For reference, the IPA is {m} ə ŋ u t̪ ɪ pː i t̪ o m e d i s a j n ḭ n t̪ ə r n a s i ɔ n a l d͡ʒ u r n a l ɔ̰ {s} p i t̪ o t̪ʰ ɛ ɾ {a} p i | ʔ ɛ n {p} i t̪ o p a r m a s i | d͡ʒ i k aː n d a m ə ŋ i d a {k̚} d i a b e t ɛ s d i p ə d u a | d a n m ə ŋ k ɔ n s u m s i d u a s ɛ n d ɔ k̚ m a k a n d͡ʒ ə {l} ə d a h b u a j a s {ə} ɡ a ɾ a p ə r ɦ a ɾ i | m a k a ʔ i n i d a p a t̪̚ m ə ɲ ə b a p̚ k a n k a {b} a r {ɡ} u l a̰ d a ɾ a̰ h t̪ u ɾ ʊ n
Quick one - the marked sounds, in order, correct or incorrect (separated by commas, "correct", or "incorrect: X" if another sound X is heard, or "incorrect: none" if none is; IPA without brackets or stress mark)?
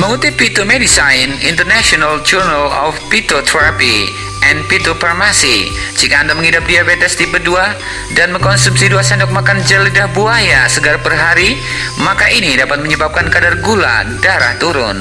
correct, incorrect: f, correct, correct, incorrect: p̚, correct, correct, incorrect: d, correct